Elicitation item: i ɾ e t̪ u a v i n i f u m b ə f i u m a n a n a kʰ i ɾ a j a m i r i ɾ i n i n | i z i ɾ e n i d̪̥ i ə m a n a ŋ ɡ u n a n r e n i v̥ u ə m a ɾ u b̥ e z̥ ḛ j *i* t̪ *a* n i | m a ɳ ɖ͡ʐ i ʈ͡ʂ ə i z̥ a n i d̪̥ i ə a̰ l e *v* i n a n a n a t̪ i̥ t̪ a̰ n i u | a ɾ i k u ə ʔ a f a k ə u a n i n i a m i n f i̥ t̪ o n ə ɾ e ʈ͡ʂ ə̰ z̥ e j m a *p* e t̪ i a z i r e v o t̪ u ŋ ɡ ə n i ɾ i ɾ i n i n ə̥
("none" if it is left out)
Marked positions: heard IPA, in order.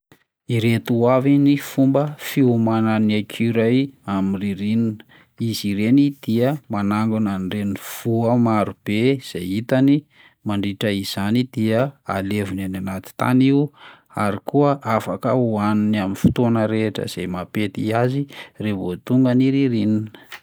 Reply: i, a, v, p

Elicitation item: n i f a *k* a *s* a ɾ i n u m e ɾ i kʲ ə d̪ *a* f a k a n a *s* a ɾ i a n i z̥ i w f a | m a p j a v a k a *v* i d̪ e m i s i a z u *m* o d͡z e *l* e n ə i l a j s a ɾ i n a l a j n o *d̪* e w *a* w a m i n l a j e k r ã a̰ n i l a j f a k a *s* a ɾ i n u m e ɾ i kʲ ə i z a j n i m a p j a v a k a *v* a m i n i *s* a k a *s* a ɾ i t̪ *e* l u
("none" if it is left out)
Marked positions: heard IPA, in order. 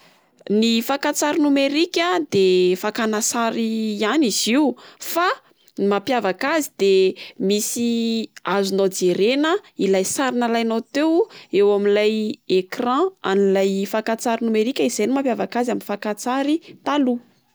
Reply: k, t͡s, e, s, z, n, ɾ, t̪, e, t͡s, z, f, t͡s, a

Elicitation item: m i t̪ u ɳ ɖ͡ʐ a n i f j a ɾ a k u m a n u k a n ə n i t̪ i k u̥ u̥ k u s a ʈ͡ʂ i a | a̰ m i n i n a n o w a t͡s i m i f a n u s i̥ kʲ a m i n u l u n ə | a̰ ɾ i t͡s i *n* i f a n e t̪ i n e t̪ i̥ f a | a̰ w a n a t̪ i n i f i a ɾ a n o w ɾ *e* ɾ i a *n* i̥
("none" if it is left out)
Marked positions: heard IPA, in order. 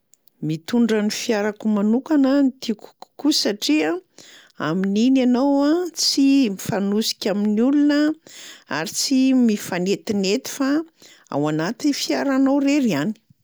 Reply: m, e, n

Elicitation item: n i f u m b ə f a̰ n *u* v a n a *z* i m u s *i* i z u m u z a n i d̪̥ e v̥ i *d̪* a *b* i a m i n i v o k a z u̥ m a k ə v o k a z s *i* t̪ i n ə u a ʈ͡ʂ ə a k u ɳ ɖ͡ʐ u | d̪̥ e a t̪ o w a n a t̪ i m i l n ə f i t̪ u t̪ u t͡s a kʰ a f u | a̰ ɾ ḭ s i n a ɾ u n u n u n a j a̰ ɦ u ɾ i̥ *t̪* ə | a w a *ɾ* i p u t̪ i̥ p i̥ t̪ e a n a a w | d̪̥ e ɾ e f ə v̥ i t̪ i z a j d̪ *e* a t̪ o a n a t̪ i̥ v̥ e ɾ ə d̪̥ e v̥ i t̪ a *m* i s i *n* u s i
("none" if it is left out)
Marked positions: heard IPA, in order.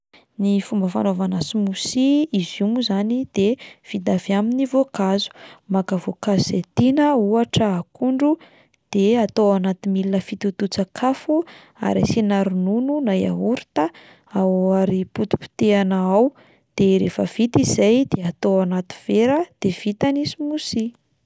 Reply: o, s, i, d̪, v, e, t̪, ɾ, e, n, m

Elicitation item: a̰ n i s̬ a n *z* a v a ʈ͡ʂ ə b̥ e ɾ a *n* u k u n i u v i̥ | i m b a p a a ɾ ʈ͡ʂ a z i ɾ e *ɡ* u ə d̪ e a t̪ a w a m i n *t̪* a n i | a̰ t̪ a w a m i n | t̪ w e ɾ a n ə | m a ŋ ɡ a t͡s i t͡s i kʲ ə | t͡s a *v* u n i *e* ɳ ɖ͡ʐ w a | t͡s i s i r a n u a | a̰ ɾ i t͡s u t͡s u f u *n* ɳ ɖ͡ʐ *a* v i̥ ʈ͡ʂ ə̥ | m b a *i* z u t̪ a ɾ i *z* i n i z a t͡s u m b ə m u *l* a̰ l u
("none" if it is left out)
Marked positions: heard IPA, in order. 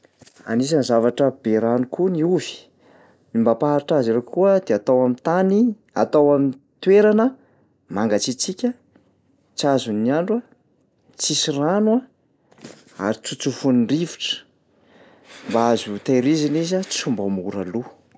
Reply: z, n, k, t̪, z, a, n, i, a, z, ɾ

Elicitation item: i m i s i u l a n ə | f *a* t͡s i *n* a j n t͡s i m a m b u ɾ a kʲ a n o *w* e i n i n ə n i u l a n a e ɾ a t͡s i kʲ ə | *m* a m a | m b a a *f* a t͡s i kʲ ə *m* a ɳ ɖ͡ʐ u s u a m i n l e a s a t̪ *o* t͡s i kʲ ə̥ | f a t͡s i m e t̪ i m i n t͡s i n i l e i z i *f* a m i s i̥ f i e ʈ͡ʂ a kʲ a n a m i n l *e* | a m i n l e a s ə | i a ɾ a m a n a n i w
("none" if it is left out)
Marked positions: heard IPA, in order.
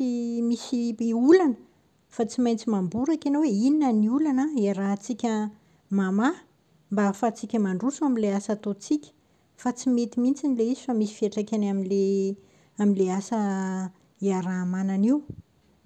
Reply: a, m, w, m, f, m, o, f, e

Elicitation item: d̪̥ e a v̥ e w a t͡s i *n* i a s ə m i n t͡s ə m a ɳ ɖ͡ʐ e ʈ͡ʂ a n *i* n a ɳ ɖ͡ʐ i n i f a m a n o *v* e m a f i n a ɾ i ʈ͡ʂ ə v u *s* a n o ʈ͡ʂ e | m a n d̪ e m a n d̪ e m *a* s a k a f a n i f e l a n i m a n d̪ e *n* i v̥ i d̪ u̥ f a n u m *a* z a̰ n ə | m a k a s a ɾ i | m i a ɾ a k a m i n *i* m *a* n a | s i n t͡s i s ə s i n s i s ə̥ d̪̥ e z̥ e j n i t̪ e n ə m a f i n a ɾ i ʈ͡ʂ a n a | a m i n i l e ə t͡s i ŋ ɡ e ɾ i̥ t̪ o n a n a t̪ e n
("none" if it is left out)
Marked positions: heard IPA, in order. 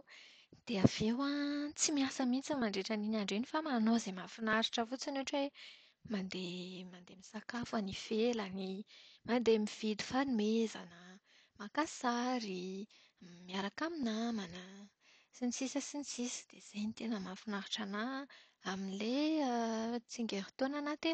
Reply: m, i, z, t͡s, i, m, e, a, a

